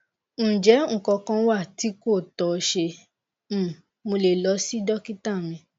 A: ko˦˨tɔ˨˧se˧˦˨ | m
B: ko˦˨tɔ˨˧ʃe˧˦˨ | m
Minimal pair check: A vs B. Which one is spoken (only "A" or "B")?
B